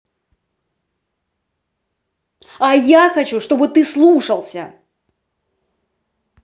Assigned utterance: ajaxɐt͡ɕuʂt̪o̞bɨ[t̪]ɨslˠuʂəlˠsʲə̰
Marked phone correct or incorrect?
correct